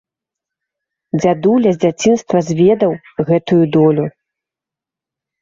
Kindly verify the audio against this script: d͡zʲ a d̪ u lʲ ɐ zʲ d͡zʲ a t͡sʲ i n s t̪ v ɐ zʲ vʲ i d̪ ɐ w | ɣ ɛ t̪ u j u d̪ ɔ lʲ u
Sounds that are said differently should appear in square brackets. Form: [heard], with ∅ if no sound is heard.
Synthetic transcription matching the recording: d͡zʲ a d̪ u lʲ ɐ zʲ d͡zʲ a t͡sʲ i n s t̪ v ɐ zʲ vʲ [ɛ] d̪ ɐ w | ɣ ɛ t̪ u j u d̪ ɔ lʲ u